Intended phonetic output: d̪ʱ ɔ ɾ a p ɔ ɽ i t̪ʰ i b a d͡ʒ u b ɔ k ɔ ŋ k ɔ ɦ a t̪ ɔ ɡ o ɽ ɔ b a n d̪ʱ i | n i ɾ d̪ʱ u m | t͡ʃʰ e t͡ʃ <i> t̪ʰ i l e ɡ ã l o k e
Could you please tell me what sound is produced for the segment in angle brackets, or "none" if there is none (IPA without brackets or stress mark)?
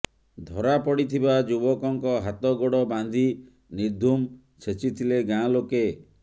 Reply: i